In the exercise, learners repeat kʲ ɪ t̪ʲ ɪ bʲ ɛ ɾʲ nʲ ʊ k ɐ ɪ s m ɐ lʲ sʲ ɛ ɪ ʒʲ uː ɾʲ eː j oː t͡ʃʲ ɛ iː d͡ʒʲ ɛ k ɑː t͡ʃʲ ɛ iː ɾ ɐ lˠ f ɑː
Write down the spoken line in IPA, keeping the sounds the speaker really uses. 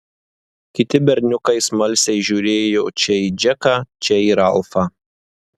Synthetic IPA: kʲ ɪ t̪ʲ ɪ bʲ ɛ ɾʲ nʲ ʊ k ɐ ɪ s m ɐ lʲ sʲ ɛ ɪ ʒʲ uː ɾʲ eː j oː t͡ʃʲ ɛ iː d͡ʒʲ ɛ k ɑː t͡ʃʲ ɛ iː ɾ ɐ lˠ f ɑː